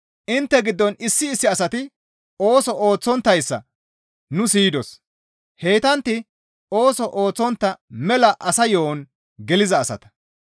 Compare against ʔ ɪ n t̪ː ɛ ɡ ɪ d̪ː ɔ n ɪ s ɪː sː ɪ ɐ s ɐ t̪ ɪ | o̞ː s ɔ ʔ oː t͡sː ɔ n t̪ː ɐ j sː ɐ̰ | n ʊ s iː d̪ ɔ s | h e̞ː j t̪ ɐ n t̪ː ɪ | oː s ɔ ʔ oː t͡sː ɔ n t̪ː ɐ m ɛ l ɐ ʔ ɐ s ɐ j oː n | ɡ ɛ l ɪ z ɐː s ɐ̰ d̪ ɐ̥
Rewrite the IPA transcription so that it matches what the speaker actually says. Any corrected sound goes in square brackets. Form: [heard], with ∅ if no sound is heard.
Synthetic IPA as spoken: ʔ ɪ n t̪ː ɛ ɡ ɪ d̪ː ɔ n ɪ [sː] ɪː sː ɪ ɐ s ɐ t̪ ɪ | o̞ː s ɔ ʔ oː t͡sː ɔ n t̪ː ɐ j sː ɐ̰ | n ʊ s iː d̪ ɔ s | h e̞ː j t̪ ɐ n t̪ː ɪ | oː s ɔ ʔ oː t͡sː ɔ n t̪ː ɐ m ɛ l ɐ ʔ ɐ s ɐ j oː n | ɡ ɛ l ɪ z ɐː s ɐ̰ [t̪] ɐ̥